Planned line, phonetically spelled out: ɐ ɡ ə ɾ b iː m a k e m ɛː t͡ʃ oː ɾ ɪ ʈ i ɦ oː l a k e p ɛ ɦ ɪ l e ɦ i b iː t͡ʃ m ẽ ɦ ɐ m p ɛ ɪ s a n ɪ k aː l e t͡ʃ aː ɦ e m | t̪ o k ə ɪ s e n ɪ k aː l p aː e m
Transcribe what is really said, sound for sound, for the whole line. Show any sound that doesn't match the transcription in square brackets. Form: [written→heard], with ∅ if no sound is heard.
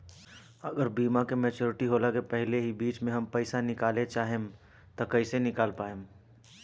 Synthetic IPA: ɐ ɡ ə ɾ b iː m a k e m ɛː t͡ʃ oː ɾ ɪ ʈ i ɦ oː l a k e p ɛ ɦ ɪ l e ɦ i b iː t͡ʃ m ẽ ɦ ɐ m p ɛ ɪ s a n ɪ k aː l e t͡ʃ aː ɦ e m | t̪ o k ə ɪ s e n ɪ k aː l p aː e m

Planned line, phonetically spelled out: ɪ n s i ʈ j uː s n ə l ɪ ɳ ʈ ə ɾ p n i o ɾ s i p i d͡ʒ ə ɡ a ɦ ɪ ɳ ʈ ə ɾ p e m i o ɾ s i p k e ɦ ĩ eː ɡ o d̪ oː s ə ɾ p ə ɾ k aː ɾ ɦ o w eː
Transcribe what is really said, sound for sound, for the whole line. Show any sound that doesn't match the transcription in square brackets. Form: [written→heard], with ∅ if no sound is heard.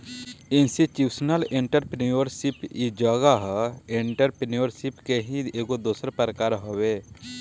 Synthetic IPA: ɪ n s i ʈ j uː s n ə l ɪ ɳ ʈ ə ɾ p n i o ɾ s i p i d͡ʒ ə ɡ a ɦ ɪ ɳ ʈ ə ɾ p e [m→n] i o ɾ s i p k e ɦ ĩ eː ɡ o d̪ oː s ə ɾ p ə ɾ k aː ɾ ɦ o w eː

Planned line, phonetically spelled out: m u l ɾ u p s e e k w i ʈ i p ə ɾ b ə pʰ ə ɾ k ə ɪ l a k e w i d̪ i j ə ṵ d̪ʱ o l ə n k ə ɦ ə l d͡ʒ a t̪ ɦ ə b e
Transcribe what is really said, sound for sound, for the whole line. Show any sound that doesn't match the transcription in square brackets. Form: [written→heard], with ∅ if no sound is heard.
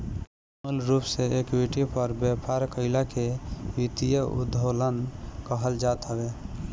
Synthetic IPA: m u l ɾ u p s e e k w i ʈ i p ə ɾ b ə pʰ [ə→a] ɾ k ə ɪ l a k e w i [d̪→t̪] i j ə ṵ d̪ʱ o l ə n k ə ɦ ə l d͡ʒ a t̪ ɦ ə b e

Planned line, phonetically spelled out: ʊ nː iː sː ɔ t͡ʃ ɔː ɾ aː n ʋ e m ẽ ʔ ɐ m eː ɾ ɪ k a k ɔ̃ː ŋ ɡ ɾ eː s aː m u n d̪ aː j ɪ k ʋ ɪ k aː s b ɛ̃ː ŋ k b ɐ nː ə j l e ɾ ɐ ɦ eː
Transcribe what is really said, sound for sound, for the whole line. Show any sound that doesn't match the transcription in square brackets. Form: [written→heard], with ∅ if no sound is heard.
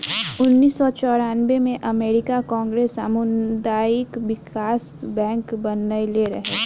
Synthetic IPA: ʊ nː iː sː ɔ t͡ʃ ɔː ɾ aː n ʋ e m ẽ ʔ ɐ m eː ɾ ɪ k a k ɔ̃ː ŋ ɡ ɾ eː s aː m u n d̪ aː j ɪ k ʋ ɪ k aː s b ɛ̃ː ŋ k b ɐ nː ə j l e ɾ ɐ ɦ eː

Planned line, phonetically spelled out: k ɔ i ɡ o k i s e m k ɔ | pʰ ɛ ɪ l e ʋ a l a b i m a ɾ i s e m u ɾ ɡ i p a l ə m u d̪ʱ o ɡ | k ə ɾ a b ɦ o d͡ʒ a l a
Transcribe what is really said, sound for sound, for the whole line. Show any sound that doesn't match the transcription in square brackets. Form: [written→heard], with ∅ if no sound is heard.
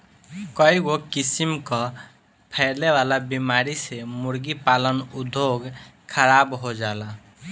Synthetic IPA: k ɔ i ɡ o k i s [e→i] m k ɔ | pʰ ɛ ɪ l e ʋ a l a b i m a ɾ i s e m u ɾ ɡ i p a l ə [m→n] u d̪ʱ o ɡ | [k→kʰ] ə ɾ a b ɦ o d͡ʒ a l a

